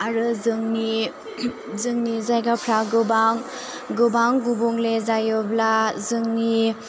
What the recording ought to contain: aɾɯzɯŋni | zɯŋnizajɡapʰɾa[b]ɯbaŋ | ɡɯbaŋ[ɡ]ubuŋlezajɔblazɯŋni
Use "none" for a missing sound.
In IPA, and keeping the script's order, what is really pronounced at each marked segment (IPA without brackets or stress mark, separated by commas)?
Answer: ɡ, ɡ